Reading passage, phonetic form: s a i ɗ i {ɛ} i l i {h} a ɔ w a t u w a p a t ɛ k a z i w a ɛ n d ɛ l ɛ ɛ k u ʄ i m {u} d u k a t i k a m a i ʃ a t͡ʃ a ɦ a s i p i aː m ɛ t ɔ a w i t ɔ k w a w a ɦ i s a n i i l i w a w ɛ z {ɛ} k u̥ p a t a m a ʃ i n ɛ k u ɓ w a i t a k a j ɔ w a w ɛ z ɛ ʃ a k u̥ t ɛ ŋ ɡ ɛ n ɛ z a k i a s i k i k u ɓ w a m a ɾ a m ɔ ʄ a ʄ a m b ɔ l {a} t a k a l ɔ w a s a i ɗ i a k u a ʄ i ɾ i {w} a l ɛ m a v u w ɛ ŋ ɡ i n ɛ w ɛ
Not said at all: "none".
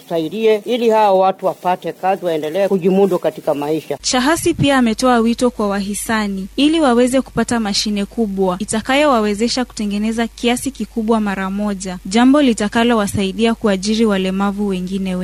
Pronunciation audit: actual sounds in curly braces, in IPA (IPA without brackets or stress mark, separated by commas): ɛ, h, u, ɛ, i, w